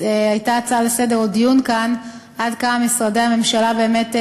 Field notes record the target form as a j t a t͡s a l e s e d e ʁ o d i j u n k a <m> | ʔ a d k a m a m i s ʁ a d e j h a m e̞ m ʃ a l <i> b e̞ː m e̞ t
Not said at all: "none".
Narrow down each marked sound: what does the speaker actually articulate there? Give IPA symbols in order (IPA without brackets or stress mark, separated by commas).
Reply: n, a